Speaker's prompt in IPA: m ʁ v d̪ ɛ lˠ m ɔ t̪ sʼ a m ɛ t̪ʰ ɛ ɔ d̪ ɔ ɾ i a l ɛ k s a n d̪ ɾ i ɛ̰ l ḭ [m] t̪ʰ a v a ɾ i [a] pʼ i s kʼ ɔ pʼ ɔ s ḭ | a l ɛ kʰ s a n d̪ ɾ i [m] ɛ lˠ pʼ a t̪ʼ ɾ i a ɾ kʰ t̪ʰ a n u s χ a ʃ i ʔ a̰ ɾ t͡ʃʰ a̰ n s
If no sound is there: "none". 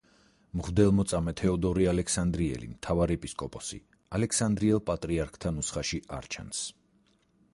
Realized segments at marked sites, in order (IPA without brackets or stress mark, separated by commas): m, ɛ, none